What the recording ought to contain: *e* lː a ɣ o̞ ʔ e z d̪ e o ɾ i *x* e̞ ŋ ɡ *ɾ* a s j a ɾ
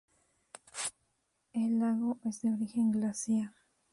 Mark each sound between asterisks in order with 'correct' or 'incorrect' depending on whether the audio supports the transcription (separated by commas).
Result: correct, correct, incorrect